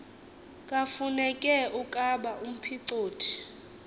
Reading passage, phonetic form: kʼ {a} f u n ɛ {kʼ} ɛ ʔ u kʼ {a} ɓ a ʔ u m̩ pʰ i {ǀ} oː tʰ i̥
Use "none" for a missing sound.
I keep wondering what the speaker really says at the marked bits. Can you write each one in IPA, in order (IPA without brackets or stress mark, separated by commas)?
a, kʼ, a, ǀ